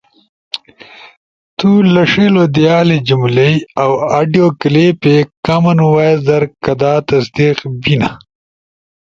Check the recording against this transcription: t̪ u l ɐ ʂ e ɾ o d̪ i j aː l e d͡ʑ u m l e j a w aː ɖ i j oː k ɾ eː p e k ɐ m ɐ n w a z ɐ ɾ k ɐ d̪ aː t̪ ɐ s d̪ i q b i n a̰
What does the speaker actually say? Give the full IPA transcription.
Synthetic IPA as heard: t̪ u l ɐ ʂ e l o d̪ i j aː l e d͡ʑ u m l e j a w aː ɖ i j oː k l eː p e k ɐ m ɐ n w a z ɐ ɾ k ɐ d̪ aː t̪ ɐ s d̪ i q b i n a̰